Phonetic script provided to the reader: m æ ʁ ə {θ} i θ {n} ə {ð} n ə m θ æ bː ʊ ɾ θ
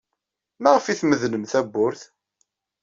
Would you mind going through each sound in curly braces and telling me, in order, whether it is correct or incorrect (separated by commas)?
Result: incorrect, incorrect, correct